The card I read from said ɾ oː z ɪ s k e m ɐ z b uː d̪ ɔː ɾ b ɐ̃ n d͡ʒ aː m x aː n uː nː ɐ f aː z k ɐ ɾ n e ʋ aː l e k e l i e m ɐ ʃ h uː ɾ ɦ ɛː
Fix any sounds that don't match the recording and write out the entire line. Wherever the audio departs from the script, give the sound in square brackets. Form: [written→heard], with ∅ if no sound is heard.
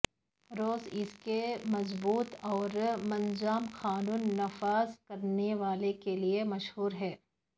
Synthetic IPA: ɾ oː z ɪ s k e m ɐ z b uː [d̪→t̪] ɔː ɾ [b→m] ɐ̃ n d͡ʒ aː m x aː n uː nː ɐ f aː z k ɐ ɾ n e ʋ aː l e k e l i e m ɐ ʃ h uː ɾ ɦ ɛː